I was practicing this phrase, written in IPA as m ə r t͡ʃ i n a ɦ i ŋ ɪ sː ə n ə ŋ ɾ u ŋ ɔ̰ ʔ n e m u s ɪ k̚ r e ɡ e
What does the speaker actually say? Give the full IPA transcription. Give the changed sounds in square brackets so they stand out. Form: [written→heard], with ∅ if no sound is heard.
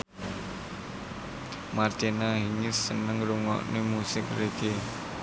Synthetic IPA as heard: m [ə→a] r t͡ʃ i n a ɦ i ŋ ɪ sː ə n ə ŋ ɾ u ŋ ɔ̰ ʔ n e m u s ɪ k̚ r e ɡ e